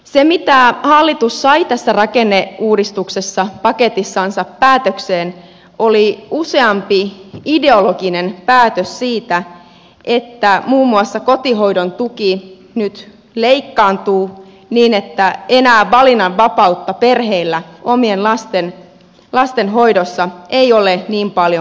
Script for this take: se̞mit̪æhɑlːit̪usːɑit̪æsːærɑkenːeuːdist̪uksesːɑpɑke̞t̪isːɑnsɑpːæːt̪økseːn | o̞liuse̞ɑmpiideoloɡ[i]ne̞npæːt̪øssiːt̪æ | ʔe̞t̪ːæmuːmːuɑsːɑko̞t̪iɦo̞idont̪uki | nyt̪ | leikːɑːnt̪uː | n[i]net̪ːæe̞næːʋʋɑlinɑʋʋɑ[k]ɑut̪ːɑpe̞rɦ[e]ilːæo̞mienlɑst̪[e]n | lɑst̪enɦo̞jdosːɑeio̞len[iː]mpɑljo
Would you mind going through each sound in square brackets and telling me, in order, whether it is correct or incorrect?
correct, incorrect, incorrect, correct, correct, correct

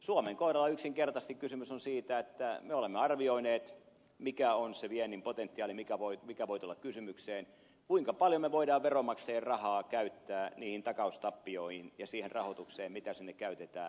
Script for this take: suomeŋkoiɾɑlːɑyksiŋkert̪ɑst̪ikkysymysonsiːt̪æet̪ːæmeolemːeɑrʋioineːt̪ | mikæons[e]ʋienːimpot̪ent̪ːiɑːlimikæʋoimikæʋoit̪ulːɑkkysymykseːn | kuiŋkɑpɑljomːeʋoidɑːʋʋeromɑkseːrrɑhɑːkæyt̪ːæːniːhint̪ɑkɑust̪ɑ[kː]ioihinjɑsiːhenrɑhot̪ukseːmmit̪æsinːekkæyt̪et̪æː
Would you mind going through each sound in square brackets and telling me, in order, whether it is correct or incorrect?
correct, incorrect

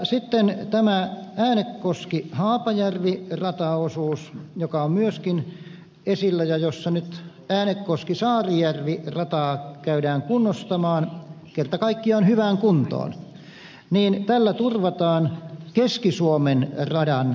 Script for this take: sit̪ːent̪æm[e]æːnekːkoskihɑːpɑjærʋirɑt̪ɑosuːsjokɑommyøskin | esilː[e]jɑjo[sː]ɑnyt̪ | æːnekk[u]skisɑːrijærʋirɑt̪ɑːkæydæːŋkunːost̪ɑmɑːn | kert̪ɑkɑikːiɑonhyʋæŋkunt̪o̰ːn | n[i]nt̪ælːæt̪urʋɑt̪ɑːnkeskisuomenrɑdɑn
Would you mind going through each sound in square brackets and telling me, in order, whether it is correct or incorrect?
incorrect, incorrect, correct, incorrect, incorrect

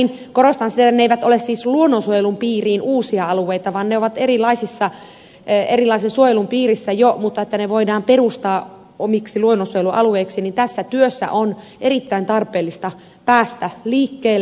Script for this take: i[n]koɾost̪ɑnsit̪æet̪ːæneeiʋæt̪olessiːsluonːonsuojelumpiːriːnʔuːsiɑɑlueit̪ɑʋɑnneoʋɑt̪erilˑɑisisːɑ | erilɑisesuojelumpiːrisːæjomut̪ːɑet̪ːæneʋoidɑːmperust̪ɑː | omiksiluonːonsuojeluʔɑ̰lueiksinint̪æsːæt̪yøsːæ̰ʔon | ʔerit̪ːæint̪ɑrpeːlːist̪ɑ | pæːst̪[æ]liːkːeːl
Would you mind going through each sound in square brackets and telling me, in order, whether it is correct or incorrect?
correct, correct

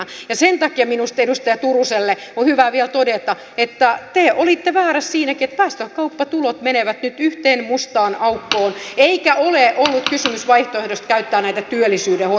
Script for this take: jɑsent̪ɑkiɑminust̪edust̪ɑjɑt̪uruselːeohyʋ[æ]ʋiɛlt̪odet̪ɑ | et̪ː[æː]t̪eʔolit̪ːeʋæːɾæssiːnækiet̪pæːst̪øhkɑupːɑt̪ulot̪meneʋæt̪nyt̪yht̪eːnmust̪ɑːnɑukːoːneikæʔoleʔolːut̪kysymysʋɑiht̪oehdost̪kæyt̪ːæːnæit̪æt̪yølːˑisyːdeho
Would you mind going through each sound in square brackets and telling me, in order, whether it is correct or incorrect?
correct, incorrect

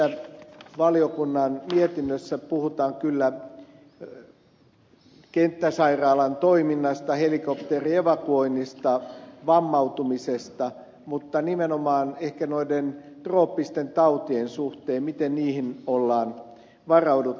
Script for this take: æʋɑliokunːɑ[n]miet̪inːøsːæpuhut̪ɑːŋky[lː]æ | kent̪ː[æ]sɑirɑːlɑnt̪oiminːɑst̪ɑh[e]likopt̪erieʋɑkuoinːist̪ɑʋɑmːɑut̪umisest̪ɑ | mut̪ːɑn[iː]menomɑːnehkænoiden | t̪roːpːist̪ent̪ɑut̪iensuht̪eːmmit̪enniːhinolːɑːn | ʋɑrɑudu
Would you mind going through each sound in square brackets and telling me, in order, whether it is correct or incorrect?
correct, correct, correct, correct, incorrect

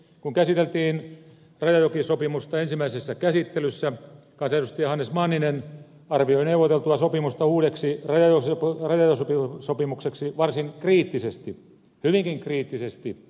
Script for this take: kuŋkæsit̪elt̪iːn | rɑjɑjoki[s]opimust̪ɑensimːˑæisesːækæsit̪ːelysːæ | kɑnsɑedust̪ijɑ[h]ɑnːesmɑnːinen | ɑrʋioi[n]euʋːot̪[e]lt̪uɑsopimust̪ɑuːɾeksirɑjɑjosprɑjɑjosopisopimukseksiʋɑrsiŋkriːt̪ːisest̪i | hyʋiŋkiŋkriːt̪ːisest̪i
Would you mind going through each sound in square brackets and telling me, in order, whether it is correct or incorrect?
correct, correct, correct, correct

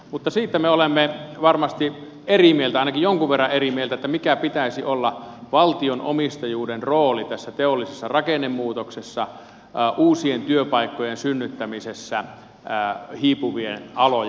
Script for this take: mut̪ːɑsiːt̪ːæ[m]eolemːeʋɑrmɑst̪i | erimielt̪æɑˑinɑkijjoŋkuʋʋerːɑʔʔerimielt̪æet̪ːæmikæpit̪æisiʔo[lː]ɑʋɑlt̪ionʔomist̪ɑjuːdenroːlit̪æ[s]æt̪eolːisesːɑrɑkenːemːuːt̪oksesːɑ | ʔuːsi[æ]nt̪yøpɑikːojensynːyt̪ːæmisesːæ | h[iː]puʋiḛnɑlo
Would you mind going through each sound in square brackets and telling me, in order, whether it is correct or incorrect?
correct, correct, incorrect, incorrect, correct

